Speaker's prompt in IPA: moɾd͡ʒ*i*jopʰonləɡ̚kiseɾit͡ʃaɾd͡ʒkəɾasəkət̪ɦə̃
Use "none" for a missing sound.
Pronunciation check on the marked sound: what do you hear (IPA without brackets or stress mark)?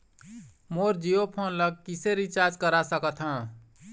i